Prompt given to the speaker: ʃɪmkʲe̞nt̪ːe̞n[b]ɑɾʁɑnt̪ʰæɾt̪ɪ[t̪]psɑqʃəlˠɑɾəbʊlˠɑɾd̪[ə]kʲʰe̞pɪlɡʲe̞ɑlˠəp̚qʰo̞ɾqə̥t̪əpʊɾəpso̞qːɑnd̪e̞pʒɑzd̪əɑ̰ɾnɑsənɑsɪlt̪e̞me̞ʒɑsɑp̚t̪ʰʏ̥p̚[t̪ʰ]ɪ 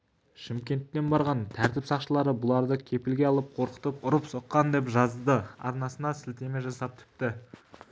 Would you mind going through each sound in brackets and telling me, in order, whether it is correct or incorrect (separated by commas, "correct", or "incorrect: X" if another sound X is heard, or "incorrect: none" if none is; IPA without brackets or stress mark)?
correct, incorrect: none, correct, incorrect: t̪